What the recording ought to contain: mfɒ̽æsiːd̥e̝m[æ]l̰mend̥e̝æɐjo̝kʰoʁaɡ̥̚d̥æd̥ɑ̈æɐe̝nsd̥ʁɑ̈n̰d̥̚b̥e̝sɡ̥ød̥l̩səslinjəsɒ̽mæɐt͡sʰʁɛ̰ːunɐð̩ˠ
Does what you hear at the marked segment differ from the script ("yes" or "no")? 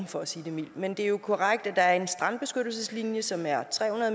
yes